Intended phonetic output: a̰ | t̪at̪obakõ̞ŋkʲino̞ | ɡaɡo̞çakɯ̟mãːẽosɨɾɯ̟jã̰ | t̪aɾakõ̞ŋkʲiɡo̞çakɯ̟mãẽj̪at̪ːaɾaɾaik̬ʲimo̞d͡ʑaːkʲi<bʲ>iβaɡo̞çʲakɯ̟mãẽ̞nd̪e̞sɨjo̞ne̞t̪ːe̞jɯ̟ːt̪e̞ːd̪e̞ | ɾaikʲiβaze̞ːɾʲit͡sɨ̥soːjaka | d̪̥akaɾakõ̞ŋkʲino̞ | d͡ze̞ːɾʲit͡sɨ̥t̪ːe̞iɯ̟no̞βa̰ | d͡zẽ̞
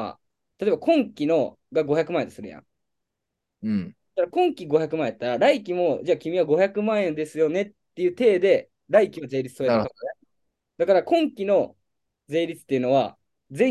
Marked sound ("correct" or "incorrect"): incorrect